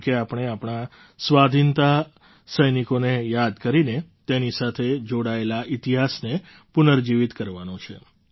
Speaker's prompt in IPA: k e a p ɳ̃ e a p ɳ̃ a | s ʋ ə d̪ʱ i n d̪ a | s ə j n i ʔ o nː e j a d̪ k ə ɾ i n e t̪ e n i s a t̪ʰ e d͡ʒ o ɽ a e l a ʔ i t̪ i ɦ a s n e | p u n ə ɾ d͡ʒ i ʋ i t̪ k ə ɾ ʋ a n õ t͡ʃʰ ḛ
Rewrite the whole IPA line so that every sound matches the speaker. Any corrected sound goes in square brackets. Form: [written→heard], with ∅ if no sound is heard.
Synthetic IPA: k e a p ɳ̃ e a p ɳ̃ a | s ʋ [ə→a] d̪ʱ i n [d̪→t̪] a | s ə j n i [ʔ→k] o [nː→n] e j a d̪ k ə ɾ i n e t̪ e n i s a t̪ʰ e d͡ʒ o ɽ a e l a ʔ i t̪ i ɦ a s n e | p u n ə ɾ d͡ʒ i ʋ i t̪ k ə ɾ ʋ a n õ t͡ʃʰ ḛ